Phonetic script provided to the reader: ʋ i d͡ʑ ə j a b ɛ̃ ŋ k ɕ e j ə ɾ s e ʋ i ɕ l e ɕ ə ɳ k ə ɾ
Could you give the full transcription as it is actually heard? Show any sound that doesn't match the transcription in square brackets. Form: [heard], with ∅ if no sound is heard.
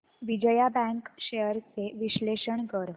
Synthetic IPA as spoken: ʋ i d͡ʑ ə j a b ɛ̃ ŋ k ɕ e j ə ɾ [t͡s] e ʋ i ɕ l e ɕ ə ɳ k ə ɾ